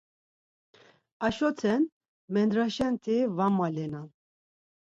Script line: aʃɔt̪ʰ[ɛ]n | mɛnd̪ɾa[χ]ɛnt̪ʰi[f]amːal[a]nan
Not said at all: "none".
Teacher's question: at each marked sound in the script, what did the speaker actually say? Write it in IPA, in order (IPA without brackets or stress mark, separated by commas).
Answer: ɛ, ʃ, v, ɛ